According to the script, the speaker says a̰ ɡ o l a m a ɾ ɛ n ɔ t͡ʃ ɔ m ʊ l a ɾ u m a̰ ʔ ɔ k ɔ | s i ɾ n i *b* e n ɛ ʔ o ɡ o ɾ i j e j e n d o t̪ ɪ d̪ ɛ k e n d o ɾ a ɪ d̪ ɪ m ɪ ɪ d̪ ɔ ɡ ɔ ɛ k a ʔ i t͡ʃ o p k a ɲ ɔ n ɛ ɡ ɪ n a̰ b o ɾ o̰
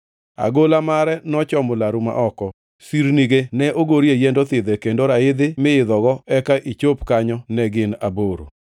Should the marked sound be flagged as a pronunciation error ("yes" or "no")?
yes